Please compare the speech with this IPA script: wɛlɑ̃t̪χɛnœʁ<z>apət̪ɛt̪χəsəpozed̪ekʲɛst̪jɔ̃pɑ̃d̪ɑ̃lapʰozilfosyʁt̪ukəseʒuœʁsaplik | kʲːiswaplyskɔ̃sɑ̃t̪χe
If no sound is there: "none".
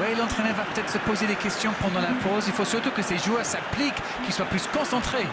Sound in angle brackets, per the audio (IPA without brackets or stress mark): v